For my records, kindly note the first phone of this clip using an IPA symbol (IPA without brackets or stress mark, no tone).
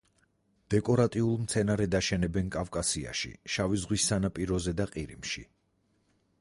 d̪̥